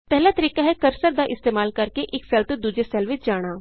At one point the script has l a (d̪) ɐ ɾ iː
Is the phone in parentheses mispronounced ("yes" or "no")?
yes